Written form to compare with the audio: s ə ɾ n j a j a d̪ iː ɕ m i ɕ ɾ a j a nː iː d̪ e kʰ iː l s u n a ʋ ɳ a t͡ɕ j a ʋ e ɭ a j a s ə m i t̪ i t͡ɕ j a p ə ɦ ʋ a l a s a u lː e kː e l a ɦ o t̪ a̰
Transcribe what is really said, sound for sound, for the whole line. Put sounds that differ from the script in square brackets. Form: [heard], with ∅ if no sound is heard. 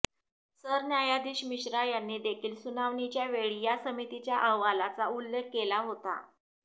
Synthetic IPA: s ə ɾ n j a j a d̪ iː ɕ m i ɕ ɾ a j a nː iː d̪ e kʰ iː l s u n a ʋ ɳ [i] t͡ɕ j a ʋ e ɭ [i] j a s ə m i t̪ i t͡ɕ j a [ʔ] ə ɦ ʋ a l a [t͡s] a u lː e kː e l a ɦ o t̪ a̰